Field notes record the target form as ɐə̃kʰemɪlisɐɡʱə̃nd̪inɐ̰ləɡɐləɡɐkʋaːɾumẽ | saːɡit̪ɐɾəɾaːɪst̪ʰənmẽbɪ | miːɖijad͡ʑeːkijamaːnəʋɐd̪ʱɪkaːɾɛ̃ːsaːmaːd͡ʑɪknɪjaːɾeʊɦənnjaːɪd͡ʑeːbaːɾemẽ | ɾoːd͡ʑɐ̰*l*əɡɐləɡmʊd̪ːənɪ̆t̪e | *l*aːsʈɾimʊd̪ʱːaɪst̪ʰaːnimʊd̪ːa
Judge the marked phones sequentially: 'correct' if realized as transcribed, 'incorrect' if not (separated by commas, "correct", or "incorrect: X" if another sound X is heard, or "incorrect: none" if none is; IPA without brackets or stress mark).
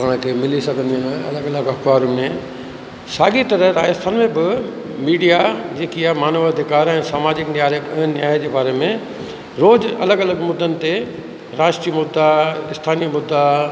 correct, incorrect: ɾ